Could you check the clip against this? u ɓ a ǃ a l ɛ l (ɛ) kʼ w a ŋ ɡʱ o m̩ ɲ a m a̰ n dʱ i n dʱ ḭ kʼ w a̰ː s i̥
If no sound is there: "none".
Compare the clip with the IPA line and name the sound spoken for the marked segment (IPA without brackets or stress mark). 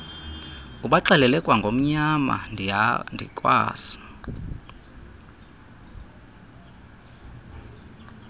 ɛ